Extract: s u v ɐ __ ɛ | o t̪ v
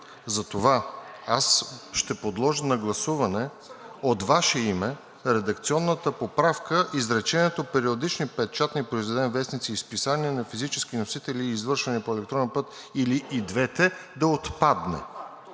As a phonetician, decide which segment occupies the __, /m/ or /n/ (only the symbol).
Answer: n